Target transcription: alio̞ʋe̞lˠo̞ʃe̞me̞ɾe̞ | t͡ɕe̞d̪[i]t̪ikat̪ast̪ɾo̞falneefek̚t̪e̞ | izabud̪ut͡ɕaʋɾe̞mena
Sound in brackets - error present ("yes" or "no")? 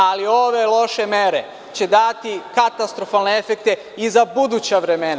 yes